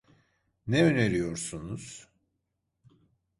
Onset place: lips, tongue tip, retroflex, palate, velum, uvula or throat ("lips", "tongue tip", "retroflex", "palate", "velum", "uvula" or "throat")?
tongue tip